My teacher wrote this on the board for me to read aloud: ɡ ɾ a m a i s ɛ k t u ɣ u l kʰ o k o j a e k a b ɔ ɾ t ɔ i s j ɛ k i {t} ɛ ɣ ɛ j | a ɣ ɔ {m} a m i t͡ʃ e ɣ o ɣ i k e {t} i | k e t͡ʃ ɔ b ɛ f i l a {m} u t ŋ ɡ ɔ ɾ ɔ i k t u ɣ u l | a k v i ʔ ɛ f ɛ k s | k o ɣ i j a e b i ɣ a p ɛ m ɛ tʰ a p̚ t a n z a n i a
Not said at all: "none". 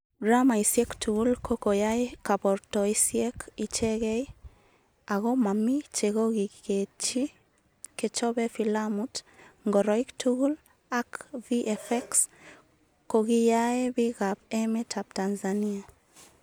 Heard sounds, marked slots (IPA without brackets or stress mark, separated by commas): t͡ʃ, m, t͡ʃ, m